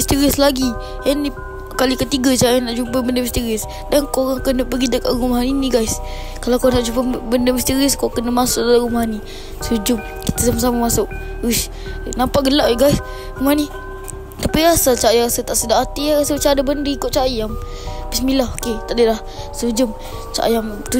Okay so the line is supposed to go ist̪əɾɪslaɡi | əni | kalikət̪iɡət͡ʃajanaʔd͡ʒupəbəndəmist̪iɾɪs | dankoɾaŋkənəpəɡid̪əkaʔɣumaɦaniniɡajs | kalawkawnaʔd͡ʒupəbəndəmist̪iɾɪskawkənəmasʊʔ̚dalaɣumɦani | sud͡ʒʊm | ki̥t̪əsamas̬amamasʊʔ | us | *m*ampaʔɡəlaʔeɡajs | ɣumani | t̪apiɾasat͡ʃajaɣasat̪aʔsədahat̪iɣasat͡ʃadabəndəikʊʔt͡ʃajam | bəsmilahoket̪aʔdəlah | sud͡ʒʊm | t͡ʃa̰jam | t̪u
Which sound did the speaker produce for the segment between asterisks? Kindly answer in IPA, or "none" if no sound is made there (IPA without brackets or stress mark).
n